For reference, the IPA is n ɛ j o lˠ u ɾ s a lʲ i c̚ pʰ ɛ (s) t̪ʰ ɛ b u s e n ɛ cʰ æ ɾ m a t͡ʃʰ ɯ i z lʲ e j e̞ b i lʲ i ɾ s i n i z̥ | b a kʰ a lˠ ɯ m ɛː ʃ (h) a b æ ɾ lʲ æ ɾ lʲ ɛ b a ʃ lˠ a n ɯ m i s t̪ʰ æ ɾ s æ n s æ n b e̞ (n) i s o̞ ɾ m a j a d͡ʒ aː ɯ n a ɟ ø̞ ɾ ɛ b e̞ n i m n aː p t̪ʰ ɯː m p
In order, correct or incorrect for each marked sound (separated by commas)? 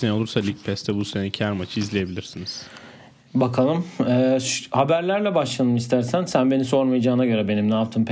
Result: correct, correct, correct